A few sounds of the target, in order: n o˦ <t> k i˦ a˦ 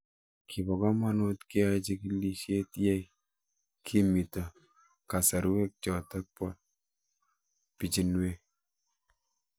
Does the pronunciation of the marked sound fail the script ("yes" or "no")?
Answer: no